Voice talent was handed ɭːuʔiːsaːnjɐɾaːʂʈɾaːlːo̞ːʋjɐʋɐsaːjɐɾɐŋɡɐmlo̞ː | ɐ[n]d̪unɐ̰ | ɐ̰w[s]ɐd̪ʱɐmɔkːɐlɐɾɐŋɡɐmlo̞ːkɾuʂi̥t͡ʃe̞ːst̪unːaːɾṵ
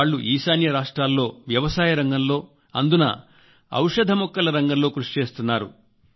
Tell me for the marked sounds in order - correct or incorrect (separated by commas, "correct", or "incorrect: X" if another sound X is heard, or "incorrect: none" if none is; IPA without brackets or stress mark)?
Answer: correct, incorrect: ʂ